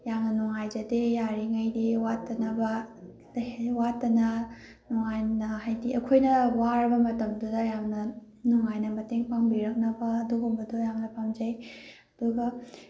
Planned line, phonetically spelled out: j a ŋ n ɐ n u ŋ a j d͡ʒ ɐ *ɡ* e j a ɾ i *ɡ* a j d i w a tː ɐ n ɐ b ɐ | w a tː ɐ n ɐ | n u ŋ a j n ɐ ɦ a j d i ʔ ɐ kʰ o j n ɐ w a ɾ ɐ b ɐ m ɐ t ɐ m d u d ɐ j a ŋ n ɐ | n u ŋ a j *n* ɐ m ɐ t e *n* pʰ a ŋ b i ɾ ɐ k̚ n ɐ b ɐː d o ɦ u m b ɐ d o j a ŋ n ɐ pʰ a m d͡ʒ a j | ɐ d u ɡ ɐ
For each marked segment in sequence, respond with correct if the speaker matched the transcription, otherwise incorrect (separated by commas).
incorrect, incorrect, correct, incorrect